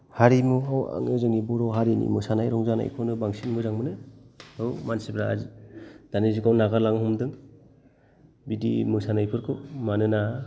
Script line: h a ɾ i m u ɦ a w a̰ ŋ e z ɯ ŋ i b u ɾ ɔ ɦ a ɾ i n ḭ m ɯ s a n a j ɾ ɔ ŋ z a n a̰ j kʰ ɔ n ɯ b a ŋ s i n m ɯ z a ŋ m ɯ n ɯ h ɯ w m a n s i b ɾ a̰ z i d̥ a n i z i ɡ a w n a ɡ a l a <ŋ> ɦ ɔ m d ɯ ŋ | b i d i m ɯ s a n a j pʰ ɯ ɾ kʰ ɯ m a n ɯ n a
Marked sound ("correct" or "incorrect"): correct